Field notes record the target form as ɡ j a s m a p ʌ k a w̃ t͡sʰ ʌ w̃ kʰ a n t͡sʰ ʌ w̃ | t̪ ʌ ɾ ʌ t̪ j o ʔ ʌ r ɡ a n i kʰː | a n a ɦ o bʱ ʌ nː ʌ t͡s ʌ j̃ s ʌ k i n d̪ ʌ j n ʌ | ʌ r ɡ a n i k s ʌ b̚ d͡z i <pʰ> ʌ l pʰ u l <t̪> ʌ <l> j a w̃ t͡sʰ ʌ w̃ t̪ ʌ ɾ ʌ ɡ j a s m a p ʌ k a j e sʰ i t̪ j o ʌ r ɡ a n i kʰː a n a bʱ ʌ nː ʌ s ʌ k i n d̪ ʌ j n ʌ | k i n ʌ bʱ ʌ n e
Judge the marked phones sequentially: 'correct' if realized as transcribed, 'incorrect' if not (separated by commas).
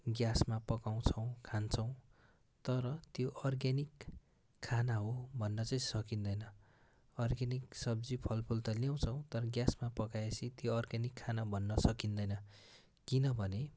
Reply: correct, correct, correct